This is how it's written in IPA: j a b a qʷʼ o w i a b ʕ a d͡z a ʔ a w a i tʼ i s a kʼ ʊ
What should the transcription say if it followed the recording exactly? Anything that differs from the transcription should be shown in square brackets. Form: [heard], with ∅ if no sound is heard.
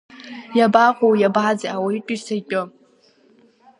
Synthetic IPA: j a b a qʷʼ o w [j] a b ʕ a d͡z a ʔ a w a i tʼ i s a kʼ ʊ